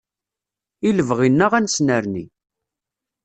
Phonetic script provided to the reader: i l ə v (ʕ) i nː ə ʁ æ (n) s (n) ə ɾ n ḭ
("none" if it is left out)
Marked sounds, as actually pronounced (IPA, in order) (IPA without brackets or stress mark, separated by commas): ʁ, n, n